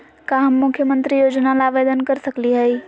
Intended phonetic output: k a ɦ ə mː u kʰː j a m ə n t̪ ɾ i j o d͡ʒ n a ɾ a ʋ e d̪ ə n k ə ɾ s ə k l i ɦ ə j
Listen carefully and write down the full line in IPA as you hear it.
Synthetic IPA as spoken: k a ɦ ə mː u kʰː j ə m ə n t̪ ɾ i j o d͡ʒ n a l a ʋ e d̪ ə n k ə ɾ s ə k l i ɦ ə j